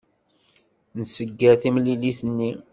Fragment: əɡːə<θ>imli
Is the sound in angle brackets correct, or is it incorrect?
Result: correct